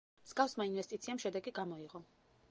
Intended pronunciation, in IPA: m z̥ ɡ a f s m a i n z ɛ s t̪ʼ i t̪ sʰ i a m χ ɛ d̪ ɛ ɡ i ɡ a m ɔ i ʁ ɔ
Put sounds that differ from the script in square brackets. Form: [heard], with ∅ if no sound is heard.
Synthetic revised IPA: m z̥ ɡ a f s m a i n [v] ɛ s t̪ʼ i t̪ sʰ i a m [ʃ] ɛ d̪ ɛ ɡ i ɡ a m ɔ i ʁ ɔ

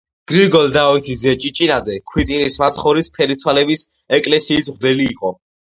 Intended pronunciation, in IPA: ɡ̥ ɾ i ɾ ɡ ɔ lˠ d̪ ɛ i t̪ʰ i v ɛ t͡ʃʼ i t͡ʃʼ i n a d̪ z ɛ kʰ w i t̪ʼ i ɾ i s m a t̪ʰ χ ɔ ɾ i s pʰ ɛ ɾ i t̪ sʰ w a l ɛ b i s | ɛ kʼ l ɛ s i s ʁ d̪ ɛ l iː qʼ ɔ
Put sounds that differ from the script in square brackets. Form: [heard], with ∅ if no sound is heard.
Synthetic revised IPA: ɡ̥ ɾ i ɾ ɡ ɔ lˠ d̪ [a] i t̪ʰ i [z] ɛ t͡ʃʼ i t͡ʃʼ i n a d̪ z ɛ kʰ w i t̪ʼ i ɾ i s m a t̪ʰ χ ɔ ɾ i s pʰ ɛ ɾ i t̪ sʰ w a l ɛ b i s | ɛ kʼ l ɛ s [iː] s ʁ d̪ ɛ l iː qʼ ɔ

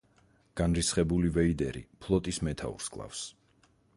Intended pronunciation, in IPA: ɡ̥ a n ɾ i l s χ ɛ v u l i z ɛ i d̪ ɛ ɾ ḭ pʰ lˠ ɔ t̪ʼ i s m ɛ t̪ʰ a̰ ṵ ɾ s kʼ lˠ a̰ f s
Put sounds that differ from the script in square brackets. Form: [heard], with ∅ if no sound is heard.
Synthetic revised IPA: ɡ̥ a n ɾ i [∅] s χ ɛ [b] u l i [v] ɛ i d̪ ɛ ɾ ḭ pʰ lˠ ɔ t̪ʼ i s m ɛ t̪ʰ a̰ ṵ ɾ s kʼ lˠ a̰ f s

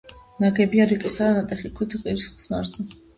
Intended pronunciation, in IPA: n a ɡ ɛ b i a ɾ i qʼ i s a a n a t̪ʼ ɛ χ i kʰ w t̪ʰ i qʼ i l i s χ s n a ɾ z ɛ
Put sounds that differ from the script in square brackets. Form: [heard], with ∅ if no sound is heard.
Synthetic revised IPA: n a ɡ ɛ b i a ɾ i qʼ i s a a n a t̪ʼ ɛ χ i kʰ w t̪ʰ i qʼ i [ɾ] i s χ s n a ɾ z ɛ

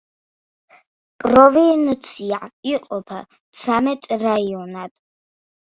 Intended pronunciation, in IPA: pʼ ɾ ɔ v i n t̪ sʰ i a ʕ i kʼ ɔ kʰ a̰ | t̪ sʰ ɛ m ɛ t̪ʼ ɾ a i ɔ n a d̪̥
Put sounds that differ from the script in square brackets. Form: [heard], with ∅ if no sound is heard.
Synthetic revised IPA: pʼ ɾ ɔ v i n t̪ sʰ i a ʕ i [qʼ] ɔ [pʰ] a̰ | t̪ sʰ [a] m ɛ t̪ʼ ɾ a i ɔ n a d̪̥

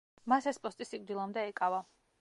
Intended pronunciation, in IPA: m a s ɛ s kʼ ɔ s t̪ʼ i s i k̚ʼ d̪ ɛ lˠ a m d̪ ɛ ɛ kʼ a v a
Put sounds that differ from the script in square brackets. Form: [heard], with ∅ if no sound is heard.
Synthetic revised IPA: m a s ɛ s [pʼ] ɔ s t̪ʼ i s i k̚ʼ d̪ [i] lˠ a m d̪ ɛ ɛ kʼ a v a

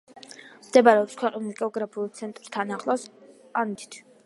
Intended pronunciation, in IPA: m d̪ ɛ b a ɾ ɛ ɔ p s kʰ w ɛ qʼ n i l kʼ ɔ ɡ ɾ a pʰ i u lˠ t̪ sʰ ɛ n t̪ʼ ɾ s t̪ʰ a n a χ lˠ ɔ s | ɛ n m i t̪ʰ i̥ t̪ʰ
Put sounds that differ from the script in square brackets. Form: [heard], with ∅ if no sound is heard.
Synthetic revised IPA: m d̪ ɛ b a ɾ ɛ ɔ p s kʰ w ɛ qʼ n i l kʼ ɔ ɡ ɾ a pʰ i u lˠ t̪ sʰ ɛ n t̪ʼ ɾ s t̪ʰ a n a χ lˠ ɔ s | [a] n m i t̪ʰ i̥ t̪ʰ

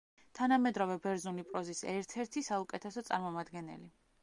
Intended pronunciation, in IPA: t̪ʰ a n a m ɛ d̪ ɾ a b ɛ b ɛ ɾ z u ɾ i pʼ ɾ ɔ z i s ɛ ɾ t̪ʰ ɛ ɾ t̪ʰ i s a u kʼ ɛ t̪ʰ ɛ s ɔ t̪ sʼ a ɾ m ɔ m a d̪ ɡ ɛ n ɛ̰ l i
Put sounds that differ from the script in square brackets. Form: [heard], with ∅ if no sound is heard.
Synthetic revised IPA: t̪ʰ a n a m ɛ d̪ ɾ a [v] ɛ b ɛ ɾ z u [l] i pʼ ɾ ɔ z i s ɛ ɾ t̪ʰ ɛ ɾ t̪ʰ i s a u kʼ ɛ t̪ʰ ɛ s ɔ t̪ sʼ a ɾ m ɔ m a d̪ ɡ ɛ n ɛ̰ l i

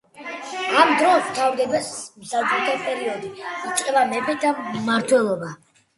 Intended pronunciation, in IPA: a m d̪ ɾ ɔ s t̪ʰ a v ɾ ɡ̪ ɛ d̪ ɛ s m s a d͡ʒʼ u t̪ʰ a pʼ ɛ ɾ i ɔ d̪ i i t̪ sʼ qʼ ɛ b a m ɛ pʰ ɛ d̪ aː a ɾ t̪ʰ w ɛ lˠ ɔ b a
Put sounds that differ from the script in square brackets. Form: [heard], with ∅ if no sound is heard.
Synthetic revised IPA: a m d̪ ɾ ɔ s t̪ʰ a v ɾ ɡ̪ ɛ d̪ ɛ s m s a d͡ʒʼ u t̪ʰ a pʼ ɛ ɾ i ɔ d̪ i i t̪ sʼ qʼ ɛ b a m ɛ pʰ ɛ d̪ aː a ɾ t̪ʰ w ɛ lˠ ɔ b a

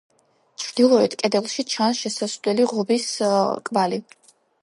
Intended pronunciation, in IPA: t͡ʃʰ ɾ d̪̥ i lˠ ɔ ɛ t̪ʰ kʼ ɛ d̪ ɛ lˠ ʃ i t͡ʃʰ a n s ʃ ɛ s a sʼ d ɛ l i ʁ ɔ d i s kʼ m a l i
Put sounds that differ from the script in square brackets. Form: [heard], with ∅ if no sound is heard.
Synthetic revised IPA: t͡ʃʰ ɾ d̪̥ i lˠ ɔ ɛ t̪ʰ kʼ ɛ d̪ ɛ lˠ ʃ i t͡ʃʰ a n s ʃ ɛ s a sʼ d ɛ l i ʁ ɔ [b] i s kʼ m a l i

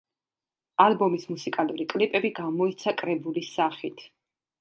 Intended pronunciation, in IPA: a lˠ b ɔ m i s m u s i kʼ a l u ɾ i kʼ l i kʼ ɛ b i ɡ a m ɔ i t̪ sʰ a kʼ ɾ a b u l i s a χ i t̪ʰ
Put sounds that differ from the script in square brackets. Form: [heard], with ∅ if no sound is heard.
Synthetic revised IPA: a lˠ b ɔ m i s m u s i kʼ a l u ɾ i kʼ l i [pʼ] ɛ b i ɡ a m ɔ i t̪ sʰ a kʼ ɾ [ɛ] b u l i s a χ i t̪ʰ

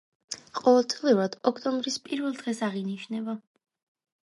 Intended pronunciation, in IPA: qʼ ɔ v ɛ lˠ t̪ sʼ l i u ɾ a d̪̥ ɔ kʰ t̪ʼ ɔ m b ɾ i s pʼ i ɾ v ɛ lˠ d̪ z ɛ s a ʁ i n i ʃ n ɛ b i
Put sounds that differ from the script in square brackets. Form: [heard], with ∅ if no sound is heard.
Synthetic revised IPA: qʼ ɔ v ɛ lˠ t̪ sʼ l i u ɾ a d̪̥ ɔ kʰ t̪ʼ ɔ m b ɾ i s pʼ i ɾ v ɛ lˠ d̪ [ʁ] ɛ s a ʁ i n i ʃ n ɛ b [a]

